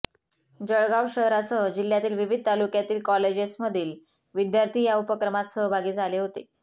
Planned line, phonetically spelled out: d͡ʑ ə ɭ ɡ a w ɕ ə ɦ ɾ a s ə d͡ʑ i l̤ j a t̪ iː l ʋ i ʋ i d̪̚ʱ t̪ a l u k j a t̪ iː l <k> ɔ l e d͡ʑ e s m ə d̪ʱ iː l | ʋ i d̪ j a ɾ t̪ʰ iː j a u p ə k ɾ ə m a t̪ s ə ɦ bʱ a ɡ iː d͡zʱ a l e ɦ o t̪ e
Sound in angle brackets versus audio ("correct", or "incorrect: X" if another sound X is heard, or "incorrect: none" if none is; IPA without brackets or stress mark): correct